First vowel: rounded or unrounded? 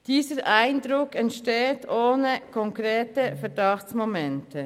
unrounded